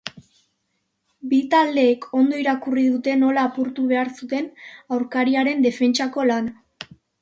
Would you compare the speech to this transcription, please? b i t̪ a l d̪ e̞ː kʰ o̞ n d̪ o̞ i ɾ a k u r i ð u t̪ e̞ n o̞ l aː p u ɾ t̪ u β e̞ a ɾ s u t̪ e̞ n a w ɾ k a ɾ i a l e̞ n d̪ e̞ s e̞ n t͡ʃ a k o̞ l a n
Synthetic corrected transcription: b i t̪ a l d̪ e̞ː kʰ o̞ n d̪ o̞ i ɾ a k u r i ð u t̪ e̞ n o̞ l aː p u ɾ t̪ u β e̞ a ɾ s u t̪ e̞ n a w ɾ k a ɾ i a ɾ e̞ n d̪ e̞ f e̞ n t͡ʃ a k o̞ l a n